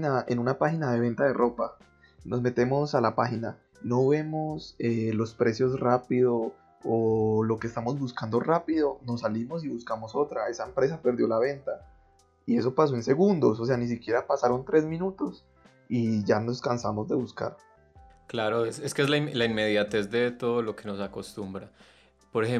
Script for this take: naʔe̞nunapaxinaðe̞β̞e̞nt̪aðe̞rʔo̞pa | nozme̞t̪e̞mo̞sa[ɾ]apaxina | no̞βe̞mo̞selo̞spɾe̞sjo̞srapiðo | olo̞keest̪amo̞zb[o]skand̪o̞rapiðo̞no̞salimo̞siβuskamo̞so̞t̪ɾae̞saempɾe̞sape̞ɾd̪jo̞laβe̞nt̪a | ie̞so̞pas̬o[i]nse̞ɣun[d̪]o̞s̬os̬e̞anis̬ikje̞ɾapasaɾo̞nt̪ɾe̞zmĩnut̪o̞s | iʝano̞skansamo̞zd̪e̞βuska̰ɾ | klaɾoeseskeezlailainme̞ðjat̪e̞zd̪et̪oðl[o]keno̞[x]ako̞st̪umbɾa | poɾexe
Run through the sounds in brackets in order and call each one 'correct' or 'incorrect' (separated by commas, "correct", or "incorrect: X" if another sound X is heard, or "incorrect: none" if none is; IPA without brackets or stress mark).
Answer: incorrect: l, incorrect: u, incorrect: e, correct, correct, incorrect: s